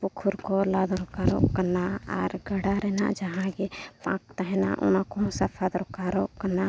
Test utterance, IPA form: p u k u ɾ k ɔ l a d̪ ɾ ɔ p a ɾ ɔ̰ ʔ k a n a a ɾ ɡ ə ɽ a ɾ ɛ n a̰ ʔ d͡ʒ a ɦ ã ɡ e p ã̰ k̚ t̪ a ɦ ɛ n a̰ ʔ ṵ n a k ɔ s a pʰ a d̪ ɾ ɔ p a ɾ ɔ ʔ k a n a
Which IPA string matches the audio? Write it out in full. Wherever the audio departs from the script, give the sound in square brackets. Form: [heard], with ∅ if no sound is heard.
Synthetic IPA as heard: p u [kʰ] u ɾ k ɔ l a d̪ ɾ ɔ [k] a ɾ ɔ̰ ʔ k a n a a ɾ ɡ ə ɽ a ɾ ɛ n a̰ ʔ d͡ʒ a ɦ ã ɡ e p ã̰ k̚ t̪ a ɦ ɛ n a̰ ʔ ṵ n a k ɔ s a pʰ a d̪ ɾ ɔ [k] a ɾ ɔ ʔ k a n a